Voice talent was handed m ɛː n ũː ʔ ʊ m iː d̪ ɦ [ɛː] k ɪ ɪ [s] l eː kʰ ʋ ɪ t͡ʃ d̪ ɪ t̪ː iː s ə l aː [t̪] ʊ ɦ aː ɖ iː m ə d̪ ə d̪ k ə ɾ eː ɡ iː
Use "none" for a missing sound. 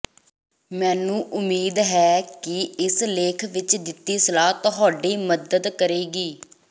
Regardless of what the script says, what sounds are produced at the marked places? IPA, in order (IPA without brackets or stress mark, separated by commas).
ɛː, s, t̪